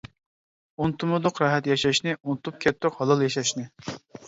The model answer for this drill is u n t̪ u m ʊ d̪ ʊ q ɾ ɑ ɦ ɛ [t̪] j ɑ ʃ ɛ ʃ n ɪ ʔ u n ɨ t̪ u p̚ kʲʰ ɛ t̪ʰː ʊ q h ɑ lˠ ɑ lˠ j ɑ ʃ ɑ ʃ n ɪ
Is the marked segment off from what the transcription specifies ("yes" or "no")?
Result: no